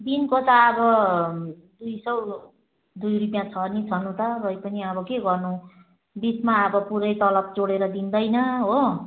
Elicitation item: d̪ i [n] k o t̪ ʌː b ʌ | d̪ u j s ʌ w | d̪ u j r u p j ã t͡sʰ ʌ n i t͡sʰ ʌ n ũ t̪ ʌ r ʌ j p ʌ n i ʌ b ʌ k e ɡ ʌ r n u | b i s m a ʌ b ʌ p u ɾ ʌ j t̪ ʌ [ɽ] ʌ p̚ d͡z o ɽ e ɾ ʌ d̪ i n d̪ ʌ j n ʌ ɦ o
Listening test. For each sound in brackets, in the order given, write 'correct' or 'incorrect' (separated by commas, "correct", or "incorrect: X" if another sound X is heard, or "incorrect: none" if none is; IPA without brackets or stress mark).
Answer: correct, incorrect: l